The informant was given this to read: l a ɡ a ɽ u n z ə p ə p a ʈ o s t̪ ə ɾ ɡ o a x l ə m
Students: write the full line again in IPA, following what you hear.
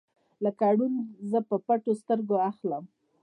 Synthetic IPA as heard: l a k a ɽ u n z ə p ə p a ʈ o s t̪ ə ɾ ɡ o a x l ə m